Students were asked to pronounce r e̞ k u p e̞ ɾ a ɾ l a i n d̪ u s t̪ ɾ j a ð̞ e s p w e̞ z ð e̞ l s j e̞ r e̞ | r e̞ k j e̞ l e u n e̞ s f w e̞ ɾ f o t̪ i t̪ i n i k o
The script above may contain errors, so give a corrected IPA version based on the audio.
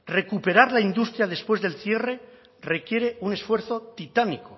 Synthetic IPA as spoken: r e̞ k u p e̞ ɾ a ɾ l a i n d̪ u s t̪ ɾ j a ð̞ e s p w e̞ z ð e̞ l θ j e̞ r e̞ | r e̞ k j e̞ ɾ e u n e̞ s f w e̞ ɾ θ o t̪ i t̪ a n i k o